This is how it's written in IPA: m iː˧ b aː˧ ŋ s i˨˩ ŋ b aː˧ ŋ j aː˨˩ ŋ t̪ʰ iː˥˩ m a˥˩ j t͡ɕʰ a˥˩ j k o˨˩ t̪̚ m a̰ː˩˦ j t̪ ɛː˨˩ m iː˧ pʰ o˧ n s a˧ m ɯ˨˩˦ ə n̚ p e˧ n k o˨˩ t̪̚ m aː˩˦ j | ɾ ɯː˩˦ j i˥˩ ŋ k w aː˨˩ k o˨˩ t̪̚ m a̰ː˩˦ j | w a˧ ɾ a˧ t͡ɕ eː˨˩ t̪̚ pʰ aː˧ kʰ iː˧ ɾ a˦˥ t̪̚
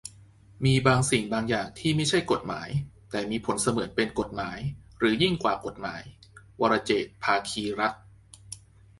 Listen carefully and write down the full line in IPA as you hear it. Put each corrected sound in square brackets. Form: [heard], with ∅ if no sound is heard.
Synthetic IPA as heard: m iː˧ b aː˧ ŋ s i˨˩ ŋ b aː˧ ŋ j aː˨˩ ŋ t̪ʰ iː˥˩ m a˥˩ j t͡ɕʰ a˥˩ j k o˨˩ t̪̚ m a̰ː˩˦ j t̪ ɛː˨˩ m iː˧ pʰ [o˩˦] n s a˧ m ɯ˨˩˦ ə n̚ p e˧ n k o˨˩ t̪̚ m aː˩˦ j | ɾ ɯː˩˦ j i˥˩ ŋ k w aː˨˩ k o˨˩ t̪̚ m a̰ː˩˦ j | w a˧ ɾ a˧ t͡ɕ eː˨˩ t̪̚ pʰ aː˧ kʰ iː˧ ɾ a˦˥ t̪̚